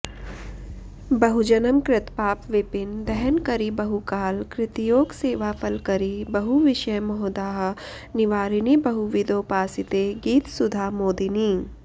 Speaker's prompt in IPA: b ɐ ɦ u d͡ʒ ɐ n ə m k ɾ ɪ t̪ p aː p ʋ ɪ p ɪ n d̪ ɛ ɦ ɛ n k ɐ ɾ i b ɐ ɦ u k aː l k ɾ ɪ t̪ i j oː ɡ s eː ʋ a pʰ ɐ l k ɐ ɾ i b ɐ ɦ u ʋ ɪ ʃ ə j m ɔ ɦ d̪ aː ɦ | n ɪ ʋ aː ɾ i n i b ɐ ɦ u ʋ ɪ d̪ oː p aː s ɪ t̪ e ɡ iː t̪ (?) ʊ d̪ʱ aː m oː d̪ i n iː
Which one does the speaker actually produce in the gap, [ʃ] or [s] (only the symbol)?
s